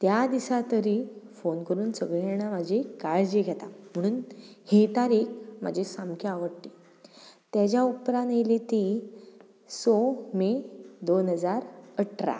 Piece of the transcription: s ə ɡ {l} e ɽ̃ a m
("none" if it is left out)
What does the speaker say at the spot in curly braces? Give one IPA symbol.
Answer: ɭ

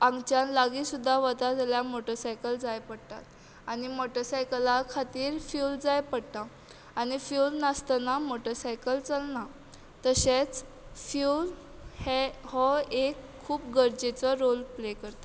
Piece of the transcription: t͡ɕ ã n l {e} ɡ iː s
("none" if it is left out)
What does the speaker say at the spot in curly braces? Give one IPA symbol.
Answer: a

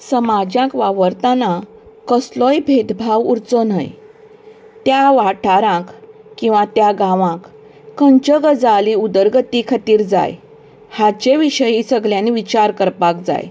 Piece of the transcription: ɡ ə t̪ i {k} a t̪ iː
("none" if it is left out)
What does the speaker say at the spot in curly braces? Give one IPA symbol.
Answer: kʰ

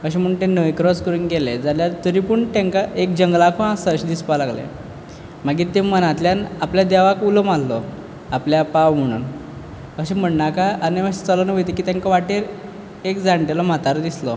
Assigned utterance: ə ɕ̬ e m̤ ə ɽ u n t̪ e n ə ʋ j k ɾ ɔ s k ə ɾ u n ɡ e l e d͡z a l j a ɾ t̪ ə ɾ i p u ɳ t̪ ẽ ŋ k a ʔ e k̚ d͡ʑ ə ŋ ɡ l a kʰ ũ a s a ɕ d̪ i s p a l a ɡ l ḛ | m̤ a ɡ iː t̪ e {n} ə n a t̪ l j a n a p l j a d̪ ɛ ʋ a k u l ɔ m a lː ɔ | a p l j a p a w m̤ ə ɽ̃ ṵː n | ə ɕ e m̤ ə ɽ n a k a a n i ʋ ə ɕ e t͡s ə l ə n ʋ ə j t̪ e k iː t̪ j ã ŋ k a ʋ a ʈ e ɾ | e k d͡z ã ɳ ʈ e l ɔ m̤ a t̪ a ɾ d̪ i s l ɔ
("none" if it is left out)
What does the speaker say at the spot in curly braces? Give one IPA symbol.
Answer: m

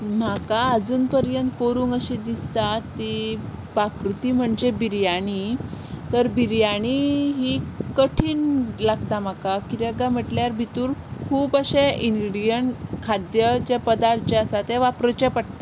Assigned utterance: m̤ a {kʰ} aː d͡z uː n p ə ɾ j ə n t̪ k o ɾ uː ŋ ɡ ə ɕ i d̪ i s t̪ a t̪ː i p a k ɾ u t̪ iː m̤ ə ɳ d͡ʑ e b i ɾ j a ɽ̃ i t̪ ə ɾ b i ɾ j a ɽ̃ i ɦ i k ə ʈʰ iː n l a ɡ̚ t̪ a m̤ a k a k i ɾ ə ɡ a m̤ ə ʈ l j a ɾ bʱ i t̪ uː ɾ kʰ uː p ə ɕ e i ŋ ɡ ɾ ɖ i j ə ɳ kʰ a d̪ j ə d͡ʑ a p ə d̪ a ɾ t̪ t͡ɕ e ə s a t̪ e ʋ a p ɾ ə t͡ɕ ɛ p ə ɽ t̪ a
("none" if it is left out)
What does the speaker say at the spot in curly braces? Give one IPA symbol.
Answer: k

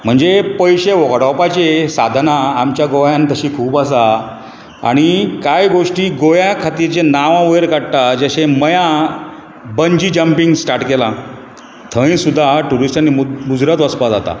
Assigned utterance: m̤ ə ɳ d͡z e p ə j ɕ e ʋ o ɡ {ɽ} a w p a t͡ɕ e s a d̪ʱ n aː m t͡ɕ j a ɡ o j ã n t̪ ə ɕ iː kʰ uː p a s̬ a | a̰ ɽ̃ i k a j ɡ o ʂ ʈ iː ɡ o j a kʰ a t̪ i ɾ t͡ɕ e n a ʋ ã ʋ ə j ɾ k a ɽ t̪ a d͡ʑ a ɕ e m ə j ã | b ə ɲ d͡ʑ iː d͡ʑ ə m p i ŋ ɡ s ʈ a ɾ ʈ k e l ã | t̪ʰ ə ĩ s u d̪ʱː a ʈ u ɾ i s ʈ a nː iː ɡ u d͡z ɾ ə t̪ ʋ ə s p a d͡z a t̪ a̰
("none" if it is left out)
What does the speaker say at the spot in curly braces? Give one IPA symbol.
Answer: ɽ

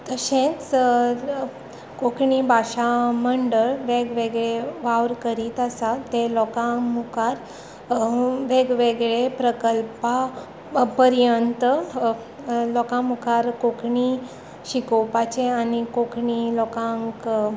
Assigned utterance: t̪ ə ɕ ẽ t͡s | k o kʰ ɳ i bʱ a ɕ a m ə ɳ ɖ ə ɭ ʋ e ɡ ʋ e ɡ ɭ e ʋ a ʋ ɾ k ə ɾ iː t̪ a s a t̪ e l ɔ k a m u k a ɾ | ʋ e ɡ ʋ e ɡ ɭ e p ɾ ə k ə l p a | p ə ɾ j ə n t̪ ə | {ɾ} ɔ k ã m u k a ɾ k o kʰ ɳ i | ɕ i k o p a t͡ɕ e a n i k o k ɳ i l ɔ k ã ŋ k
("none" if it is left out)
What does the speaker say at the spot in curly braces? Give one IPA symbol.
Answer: l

